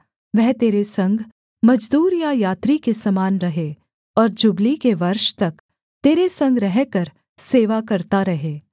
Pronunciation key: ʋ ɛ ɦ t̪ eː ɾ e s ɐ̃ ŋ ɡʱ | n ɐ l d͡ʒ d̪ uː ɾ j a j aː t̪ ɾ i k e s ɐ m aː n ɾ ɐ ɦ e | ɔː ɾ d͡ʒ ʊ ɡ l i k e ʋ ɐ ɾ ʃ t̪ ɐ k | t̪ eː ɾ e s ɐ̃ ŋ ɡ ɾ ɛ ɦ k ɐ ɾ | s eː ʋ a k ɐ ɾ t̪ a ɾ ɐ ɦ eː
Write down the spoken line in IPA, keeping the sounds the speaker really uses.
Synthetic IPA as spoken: ʋ ɛ ɦ t̪ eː ɾ e s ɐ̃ ŋ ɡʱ | m ɐ d͡ʒ d̪ uː ɾ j a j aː t̪ ɾ i k e s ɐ m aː n ɾ ɐ ɦ e | ɔː ɾ d͡ʒ ʊ ɡ l i k e ʋ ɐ ɾ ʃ t̪ ɐ k | t̪ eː ɾ e s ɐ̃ ŋ ɡ ɾ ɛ ɦ k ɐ ɾ | s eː ʋ a k ɐ ɾ t̪ a ɾ ɐ ɦ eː